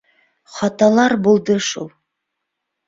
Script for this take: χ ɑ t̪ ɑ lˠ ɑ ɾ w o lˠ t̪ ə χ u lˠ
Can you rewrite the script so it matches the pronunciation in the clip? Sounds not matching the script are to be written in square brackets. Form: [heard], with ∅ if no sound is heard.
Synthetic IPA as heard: χ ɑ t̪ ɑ lˠ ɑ ɾ [b] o lˠ [d̪] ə [ʃ] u lˠ